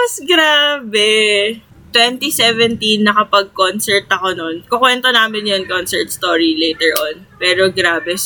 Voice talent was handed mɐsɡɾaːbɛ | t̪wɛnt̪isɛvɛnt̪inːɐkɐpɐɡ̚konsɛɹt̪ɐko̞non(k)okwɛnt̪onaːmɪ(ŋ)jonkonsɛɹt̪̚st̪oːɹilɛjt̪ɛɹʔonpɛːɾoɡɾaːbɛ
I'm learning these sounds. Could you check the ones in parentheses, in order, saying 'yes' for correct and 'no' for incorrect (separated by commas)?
yes, no